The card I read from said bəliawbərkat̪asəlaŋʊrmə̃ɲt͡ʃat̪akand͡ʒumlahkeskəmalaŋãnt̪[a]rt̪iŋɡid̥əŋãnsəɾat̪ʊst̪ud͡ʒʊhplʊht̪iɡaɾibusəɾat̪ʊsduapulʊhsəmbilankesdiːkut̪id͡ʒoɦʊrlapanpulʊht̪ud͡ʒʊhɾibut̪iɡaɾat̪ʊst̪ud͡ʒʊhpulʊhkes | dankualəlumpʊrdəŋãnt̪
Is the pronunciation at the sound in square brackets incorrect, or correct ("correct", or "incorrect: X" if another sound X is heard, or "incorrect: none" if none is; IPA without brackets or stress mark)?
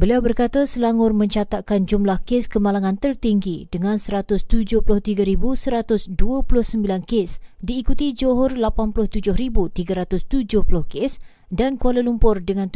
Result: incorrect: ə